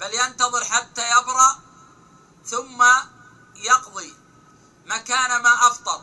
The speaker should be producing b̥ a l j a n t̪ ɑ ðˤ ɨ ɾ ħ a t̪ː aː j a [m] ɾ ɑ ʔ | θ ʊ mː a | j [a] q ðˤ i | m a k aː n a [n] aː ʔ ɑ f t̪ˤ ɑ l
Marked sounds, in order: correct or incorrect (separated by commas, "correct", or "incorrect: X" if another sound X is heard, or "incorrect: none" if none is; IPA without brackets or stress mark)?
incorrect: b, incorrect: ɑ, incorrect: m